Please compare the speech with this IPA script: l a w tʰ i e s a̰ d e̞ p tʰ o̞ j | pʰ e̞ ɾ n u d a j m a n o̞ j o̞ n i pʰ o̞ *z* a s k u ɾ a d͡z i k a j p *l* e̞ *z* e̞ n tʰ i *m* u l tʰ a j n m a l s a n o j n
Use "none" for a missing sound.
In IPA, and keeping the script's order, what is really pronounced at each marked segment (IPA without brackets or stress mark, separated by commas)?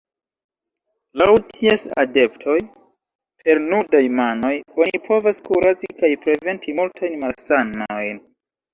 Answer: v, ɾ, v, m